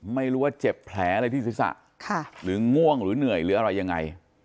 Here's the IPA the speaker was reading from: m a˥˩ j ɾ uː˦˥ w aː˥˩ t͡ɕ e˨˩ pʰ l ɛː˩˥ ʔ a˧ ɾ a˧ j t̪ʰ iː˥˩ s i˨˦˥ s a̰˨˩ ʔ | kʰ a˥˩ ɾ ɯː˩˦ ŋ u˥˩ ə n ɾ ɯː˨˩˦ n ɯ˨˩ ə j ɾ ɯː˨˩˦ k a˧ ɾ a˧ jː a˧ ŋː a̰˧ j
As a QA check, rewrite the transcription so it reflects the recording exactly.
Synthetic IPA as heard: m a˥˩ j ɾ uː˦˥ w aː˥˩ t͡ɕ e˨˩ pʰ l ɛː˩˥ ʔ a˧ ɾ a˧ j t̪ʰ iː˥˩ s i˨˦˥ s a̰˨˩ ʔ | kʰ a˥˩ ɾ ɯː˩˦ ŋ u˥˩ ə ŋ ɾ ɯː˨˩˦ n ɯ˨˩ ə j ɾ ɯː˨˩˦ ʔ a˧ ɾ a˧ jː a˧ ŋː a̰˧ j